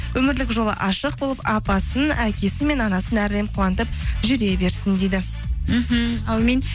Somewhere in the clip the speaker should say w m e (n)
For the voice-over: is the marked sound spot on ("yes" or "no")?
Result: yes